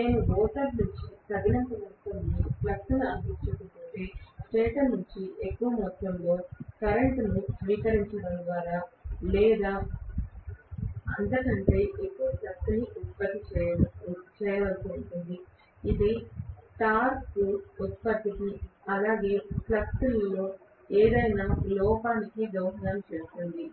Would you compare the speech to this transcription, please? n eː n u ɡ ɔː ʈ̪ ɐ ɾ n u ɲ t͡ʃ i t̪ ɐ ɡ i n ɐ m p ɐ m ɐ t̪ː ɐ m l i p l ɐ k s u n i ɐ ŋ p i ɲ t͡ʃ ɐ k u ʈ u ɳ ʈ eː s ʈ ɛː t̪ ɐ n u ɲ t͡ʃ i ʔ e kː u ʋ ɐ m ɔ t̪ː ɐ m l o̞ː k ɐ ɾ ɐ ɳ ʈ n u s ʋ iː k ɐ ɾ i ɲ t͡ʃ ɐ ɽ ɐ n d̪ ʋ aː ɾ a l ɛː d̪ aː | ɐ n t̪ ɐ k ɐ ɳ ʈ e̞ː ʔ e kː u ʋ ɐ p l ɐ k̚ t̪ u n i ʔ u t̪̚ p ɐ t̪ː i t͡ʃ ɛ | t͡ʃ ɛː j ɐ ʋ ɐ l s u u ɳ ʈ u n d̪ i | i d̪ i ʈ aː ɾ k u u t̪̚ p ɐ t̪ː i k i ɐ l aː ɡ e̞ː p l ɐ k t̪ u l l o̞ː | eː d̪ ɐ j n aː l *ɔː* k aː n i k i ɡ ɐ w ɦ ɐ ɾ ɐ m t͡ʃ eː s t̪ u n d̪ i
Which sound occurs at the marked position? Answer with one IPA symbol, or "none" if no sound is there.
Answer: ɔː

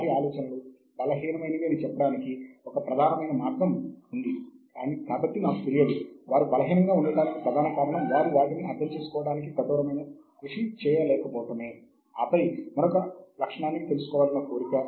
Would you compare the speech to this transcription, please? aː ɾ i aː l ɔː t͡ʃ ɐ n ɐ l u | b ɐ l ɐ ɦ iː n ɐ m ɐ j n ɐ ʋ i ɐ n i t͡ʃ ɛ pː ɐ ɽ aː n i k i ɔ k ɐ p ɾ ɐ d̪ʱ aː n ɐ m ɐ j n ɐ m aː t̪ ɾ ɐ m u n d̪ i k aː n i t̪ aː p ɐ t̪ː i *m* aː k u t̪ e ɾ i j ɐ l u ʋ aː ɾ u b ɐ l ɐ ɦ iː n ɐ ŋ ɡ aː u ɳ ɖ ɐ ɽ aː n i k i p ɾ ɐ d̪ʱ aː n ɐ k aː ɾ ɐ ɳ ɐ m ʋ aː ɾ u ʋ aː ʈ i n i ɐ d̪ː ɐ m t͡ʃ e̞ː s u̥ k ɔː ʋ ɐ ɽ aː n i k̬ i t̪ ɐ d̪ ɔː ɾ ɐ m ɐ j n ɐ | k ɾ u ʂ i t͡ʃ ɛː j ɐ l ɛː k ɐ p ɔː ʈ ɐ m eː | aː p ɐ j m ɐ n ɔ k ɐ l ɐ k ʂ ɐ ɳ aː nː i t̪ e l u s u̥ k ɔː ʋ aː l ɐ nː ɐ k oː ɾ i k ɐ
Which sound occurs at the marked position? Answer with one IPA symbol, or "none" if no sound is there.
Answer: n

